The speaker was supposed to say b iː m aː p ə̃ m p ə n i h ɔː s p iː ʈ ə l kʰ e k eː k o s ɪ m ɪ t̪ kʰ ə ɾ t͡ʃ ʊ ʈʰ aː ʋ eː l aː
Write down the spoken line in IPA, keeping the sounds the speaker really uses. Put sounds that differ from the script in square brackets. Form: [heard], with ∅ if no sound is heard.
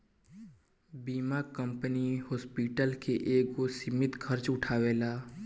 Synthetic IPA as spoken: b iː m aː [k] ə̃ m p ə n i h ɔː s p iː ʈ ə l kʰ e [ʔ] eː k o s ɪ m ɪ t̪ kʰ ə ɾ t͡ʃ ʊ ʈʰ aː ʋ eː l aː